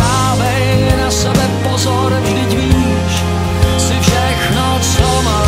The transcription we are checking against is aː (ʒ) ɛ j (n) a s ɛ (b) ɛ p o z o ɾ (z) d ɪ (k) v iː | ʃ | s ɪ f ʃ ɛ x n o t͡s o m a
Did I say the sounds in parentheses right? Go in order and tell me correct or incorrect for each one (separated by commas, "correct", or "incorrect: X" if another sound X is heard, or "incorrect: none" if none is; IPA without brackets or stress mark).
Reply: incorrect: v, correct, correct, incorrect: ʒ, incorrect: c